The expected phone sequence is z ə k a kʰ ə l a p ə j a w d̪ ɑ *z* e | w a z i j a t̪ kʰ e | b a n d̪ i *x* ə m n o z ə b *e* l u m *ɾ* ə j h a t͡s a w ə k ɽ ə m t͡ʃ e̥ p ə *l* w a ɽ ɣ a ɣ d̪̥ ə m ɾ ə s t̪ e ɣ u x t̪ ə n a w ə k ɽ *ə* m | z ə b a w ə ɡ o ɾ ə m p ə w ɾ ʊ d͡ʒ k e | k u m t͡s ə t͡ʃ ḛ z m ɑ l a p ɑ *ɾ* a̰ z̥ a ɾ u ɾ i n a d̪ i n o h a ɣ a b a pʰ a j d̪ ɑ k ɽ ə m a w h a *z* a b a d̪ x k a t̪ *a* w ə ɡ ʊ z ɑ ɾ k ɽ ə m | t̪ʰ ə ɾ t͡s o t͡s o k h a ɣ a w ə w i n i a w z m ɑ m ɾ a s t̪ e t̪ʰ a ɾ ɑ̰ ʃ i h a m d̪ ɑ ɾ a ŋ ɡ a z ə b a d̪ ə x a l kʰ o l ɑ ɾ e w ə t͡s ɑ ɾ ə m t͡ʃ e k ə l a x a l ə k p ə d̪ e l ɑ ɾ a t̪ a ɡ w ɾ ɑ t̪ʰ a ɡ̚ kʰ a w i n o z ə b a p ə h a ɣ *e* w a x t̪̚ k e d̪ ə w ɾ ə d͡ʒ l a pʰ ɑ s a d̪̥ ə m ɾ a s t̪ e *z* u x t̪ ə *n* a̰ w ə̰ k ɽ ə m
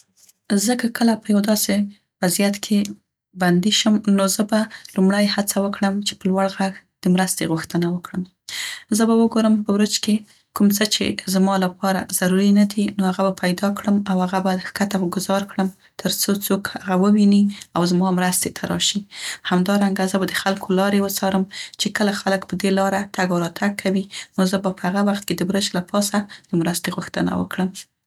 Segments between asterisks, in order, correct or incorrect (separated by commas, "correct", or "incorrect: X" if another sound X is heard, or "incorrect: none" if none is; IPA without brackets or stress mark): incorrect: s, incorrect: ʃ, incorrect: a, incorrect: ɽ, correct, correct, correct, incorrect: ɣ, correct, incorrect: a, incorrect: ɣ, correct